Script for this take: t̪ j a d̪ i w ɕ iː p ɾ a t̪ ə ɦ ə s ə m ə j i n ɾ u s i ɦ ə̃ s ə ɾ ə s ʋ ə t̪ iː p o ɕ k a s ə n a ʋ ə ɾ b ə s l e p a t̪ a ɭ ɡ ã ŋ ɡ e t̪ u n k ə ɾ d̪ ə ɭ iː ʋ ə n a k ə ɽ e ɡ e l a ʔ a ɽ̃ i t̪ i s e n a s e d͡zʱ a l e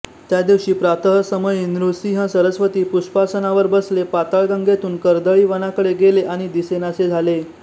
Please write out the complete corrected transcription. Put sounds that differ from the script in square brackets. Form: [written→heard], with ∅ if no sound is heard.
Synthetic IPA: t̪ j a d̪ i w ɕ iː p ɾ a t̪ ə ɦ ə s ə m ə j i n ɾ u s i ɦ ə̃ s ə ɾ ə s ʋ ə t̪ iː p [o→u] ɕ [k→p] a s ə n a ʋ ə ɾ b ə s l e p a t̪ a ɭ ɡ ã ŋ ɡ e t̪ [u→uː] n k ə ɾ d̪ ə ɭ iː ʋ ə n a k ə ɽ e ɡ e l [a→e] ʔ a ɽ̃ i [t̪→d̪] i s e n a s e d͡zʱ a l e